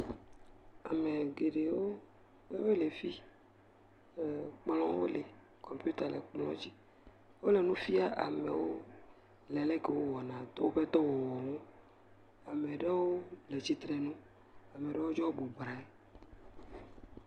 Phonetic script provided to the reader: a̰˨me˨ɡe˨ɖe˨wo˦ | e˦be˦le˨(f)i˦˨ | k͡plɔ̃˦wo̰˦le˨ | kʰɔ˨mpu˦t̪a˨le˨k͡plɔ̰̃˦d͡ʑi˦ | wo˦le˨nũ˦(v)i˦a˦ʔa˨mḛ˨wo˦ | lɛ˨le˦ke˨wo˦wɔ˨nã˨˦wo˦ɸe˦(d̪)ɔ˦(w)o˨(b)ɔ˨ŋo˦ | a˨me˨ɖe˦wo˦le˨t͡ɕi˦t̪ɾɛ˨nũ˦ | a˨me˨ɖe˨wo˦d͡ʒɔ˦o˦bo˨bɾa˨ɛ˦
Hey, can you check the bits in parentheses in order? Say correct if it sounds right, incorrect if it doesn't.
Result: correct, incorrect: f, incorrect: t̪, correct, incorrect: w

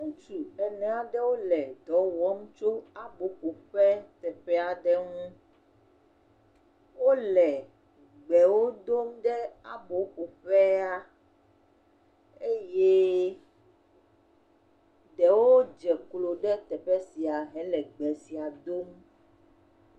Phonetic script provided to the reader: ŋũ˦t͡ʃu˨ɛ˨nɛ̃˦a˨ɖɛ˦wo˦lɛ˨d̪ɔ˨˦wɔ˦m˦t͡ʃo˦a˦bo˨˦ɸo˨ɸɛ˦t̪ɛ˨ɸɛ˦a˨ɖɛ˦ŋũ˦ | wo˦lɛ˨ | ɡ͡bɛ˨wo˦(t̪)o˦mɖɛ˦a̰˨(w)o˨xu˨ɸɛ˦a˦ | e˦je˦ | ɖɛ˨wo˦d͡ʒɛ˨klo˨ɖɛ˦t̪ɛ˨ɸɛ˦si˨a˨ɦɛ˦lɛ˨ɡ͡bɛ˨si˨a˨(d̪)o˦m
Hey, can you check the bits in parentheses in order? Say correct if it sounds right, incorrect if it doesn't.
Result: incorrect: d̪, incorrect: b, correct

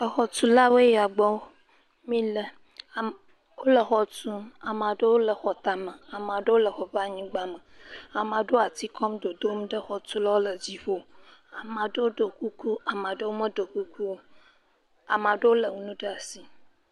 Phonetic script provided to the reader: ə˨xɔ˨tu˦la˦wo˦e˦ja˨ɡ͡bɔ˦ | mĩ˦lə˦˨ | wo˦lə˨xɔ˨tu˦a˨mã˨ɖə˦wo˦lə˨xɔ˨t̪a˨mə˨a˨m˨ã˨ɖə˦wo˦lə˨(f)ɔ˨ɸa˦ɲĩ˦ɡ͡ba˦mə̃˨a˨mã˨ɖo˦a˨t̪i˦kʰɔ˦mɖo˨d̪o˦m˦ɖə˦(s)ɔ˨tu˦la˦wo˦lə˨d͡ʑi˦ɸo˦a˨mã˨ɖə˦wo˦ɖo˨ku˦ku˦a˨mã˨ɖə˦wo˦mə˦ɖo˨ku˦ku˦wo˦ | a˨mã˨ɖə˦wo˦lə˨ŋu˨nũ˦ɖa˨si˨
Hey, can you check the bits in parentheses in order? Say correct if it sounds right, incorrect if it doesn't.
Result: incorrect: x, incorrect: x

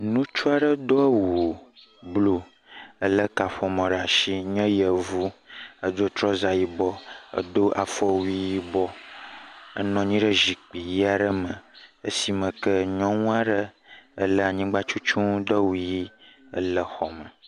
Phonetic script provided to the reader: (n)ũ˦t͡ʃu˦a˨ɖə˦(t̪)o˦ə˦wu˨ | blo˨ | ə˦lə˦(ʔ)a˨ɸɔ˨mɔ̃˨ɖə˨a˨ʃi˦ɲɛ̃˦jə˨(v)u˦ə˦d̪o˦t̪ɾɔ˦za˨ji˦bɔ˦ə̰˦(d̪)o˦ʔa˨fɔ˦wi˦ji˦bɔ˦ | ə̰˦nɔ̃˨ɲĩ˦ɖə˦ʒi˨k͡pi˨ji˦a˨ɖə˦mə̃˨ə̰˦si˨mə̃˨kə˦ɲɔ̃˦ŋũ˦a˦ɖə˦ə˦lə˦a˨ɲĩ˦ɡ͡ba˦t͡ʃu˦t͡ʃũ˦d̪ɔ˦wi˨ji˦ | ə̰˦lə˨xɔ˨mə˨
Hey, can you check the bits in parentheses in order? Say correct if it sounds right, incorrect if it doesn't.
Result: correct, incorrect: d̪, incorrect: k, correct, correct

